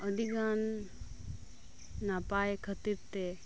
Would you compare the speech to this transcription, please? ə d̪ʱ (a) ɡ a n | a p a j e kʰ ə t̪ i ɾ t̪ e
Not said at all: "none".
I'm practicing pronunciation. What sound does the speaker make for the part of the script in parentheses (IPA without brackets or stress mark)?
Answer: i